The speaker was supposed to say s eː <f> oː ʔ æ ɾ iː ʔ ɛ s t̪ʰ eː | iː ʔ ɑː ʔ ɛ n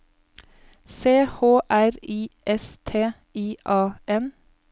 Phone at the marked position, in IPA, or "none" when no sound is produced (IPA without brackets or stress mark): h